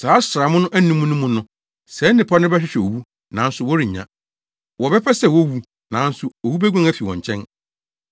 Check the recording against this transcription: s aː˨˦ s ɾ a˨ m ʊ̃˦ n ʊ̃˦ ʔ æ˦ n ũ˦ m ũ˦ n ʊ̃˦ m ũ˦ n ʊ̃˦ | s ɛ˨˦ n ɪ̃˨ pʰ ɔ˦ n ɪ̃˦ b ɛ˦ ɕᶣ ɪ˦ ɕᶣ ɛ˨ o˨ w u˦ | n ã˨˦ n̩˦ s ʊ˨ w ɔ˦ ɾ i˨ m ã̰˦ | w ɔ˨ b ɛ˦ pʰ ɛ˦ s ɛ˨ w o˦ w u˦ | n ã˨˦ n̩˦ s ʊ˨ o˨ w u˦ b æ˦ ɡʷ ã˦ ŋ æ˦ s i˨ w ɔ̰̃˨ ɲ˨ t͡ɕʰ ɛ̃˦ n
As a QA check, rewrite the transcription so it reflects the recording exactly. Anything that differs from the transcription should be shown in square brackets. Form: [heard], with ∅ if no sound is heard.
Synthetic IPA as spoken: s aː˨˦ s ɾ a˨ m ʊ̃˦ n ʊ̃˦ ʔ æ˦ n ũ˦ m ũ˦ n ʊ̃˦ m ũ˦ n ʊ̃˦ | s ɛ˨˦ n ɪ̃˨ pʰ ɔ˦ n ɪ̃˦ b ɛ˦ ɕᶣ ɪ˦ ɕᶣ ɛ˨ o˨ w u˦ | n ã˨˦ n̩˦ s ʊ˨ w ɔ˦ ɾ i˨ [ɲ] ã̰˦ | w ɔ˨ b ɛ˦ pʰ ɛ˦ s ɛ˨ w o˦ w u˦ | n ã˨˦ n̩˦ s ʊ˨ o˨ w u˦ b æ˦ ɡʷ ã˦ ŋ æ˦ [f] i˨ w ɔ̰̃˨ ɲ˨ t͡ɕʰ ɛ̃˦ n

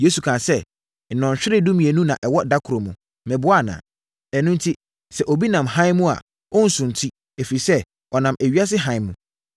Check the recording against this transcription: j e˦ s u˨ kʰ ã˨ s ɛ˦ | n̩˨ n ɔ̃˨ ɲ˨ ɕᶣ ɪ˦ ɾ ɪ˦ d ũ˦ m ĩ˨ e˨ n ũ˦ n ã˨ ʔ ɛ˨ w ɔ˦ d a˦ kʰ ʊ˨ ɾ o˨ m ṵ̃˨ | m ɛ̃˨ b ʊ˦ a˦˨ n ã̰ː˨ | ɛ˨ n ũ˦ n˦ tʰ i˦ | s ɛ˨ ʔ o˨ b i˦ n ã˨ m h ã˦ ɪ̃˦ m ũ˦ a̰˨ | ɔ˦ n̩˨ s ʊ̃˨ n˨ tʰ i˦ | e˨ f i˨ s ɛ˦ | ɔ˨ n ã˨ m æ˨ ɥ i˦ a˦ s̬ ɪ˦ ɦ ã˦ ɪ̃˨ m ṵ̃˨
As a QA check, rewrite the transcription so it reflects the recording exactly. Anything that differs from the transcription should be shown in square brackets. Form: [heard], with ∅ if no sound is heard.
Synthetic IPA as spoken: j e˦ s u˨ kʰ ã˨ s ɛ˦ | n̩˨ n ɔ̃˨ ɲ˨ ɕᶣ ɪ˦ ɾ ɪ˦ d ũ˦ m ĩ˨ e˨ n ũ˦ n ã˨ ʔ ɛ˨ w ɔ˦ d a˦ kʰ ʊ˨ ɾ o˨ m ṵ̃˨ | m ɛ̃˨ b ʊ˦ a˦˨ n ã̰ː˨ | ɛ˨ n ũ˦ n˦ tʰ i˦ | s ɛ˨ ʔ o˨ b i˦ n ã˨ m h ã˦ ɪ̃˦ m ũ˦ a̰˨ | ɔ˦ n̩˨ s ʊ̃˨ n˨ tʰ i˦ | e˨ f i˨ s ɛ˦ | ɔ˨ n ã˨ m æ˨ ɥ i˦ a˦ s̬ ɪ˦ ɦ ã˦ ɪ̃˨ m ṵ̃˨

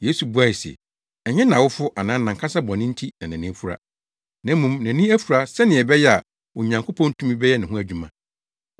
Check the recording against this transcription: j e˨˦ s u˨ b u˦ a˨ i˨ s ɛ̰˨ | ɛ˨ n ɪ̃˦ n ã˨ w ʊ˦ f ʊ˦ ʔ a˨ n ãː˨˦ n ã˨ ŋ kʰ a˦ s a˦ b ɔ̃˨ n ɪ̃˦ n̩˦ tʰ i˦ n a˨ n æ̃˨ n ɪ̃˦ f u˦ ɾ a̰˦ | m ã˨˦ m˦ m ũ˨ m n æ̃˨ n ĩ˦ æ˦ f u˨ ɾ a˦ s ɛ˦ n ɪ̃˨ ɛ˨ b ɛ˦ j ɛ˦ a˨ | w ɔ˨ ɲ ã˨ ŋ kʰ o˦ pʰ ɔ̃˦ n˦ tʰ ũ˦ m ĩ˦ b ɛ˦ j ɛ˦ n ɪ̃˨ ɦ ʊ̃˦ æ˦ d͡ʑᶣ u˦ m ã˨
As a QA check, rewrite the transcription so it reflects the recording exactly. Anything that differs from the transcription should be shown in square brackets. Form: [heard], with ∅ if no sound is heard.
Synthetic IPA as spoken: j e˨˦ s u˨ b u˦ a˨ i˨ s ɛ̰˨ | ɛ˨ [ɲ] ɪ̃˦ n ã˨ w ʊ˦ f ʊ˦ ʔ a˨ n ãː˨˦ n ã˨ ŋ kʰ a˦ s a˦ b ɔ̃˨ n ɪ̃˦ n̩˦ tʰ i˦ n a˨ n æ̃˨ n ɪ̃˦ f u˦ ɾ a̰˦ | [n] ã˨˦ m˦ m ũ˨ m n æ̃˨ n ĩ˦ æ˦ f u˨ ɾ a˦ s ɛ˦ n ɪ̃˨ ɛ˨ b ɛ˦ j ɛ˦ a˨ | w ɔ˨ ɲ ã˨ ŋ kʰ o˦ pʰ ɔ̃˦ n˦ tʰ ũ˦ m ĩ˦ b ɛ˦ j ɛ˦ n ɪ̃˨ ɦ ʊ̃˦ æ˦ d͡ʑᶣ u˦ m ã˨

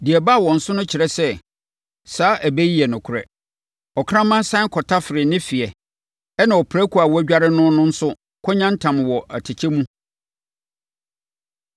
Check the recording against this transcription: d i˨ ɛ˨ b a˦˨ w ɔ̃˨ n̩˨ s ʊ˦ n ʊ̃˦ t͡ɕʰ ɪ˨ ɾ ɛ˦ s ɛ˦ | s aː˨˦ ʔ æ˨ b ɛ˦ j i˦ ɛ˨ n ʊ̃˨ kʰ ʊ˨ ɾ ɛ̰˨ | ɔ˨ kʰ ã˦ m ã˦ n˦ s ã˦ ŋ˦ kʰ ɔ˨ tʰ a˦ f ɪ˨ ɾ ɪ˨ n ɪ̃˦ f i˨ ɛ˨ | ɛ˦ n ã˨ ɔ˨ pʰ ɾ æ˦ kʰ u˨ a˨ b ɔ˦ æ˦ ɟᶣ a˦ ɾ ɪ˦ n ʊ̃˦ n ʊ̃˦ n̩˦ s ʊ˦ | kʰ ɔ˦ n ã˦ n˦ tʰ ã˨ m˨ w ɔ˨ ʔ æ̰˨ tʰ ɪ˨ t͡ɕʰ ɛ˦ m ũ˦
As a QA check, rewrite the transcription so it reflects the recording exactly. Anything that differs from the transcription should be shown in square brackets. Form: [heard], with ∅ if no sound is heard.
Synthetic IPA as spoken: d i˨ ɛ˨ b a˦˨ w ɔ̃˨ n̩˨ s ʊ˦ n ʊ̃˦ t͡ɕʰ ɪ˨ ɾ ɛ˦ s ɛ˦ | s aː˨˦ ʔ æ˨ b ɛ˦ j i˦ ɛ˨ n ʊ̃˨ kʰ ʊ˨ ɾ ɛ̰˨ | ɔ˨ kʰ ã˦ m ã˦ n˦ s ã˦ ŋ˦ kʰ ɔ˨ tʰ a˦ f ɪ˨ ɾ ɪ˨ n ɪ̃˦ f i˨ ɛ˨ | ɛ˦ n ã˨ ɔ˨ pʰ ɾ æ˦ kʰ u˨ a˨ [w] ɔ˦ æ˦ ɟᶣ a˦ ɾ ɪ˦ n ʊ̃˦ n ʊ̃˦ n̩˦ s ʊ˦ | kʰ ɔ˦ [ɲ] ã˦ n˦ tʰ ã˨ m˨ w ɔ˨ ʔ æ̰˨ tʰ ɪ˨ t͡ɕʰ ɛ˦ m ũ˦

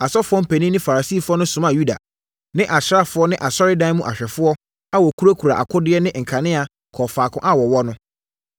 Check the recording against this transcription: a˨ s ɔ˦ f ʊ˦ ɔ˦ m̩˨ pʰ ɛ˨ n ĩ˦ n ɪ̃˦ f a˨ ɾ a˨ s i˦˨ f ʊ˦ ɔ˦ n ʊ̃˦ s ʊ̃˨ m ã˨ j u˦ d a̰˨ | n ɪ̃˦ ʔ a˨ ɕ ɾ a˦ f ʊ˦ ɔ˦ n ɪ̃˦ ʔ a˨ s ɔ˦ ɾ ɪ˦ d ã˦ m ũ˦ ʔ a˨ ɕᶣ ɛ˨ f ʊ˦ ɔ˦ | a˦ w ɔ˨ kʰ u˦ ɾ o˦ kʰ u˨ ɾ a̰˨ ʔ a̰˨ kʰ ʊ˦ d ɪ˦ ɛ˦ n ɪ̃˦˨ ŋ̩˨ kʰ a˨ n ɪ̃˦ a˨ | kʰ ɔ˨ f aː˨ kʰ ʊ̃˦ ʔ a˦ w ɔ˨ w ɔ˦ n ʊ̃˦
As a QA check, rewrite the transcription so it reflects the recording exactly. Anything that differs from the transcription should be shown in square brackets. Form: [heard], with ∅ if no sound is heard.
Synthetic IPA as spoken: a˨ s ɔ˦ f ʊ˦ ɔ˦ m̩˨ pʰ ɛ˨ n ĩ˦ n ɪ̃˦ f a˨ ɾ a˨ s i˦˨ f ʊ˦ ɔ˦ n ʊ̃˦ s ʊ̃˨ m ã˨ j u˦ d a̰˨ | n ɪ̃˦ ʔ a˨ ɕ ɾ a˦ f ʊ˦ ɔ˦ n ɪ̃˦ ʔ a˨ s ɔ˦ ɾ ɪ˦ d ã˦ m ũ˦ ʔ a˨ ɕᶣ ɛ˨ f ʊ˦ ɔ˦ | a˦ w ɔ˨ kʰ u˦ ɾ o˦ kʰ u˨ ɾ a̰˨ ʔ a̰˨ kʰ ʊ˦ d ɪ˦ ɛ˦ n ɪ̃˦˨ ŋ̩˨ kʰ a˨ n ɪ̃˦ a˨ | kʰ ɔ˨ f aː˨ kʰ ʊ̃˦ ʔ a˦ w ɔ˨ w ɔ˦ n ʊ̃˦

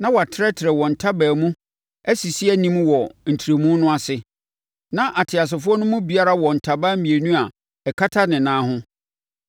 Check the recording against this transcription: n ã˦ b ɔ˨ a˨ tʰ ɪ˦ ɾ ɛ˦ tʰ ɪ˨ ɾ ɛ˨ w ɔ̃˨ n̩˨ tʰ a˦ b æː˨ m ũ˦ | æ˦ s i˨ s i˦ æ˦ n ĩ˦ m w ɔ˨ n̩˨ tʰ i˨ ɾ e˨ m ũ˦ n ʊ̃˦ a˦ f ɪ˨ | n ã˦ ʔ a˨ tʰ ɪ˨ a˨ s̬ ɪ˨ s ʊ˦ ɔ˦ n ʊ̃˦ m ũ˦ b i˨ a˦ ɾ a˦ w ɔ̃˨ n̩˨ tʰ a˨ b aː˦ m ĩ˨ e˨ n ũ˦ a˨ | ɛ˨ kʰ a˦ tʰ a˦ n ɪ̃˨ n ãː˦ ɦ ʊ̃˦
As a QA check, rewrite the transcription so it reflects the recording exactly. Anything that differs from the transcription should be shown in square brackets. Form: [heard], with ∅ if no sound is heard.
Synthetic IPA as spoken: n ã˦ [w] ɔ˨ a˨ tʰ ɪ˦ ɾ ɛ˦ tʰ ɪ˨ ɾ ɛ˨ w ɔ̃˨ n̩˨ tʰ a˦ b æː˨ m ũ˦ | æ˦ s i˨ s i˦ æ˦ n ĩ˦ m w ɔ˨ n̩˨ tʰ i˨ ɾ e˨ m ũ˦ n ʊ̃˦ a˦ [s] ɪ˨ | n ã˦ ʔ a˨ tʰ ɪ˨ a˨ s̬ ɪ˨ [f] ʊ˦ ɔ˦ n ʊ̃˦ m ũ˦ b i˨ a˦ ɾ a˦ w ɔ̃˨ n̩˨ tʰ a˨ b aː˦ m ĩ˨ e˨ n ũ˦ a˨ | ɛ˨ kʰ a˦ tʰ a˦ n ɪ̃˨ n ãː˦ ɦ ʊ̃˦

